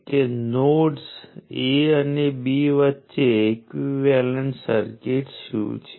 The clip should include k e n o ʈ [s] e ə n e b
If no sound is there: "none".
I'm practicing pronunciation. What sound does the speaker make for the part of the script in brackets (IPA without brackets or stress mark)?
s